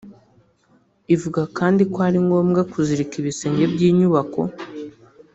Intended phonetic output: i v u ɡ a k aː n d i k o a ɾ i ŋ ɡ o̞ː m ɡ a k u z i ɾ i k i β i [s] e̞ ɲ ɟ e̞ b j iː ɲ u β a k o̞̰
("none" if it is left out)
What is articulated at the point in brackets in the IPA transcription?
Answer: s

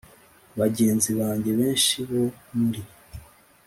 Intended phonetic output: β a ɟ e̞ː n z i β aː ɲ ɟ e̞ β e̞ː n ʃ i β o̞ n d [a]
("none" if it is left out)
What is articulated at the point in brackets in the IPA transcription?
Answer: i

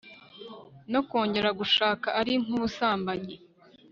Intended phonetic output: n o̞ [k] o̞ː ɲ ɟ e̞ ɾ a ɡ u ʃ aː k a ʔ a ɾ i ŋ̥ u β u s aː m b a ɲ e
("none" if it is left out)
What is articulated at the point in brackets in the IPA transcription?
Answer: k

